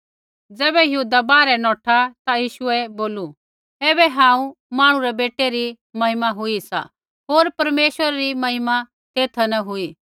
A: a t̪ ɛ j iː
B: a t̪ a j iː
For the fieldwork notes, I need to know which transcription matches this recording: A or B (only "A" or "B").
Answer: B